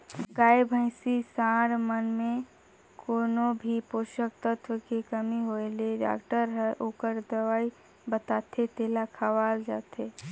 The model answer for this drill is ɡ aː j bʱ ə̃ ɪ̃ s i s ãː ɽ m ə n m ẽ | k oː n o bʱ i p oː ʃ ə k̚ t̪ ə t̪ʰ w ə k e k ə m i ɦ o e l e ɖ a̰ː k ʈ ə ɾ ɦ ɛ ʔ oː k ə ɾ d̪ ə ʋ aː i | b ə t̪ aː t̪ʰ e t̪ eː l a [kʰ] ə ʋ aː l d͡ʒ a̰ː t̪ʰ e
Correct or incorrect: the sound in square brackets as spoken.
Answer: correct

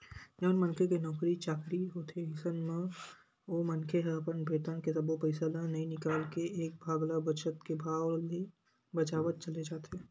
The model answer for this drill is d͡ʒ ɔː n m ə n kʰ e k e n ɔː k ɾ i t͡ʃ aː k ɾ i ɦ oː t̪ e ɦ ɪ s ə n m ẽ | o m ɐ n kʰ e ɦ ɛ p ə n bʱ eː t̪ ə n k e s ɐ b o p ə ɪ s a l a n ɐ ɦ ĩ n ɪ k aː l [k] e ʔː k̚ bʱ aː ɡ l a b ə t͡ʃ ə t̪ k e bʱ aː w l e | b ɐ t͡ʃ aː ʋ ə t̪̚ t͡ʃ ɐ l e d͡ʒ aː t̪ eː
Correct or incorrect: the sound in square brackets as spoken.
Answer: correct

